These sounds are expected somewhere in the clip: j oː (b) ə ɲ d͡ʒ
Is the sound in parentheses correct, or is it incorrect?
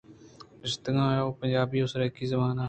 incorrect